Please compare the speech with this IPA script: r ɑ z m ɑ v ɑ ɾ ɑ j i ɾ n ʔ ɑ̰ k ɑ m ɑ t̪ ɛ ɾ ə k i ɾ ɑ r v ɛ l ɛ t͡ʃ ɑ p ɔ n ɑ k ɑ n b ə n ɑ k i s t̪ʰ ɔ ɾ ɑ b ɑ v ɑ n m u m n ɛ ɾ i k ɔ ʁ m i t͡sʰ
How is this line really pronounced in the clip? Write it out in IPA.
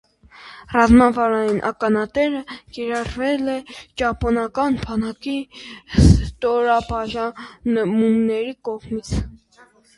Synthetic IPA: r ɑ z m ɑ v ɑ ɾ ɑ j i n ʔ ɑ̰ k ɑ n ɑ t̪ ɛ ɾ ə k i ɾ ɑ r v ɛ l ɛ t͡ʃ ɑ p ɔ n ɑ k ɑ n b ɑ n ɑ k i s t̪ ɔ ɾ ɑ b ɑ ʒ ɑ n m u m n ɛ ɾ i k ɔ ʁ m i t͡sʰ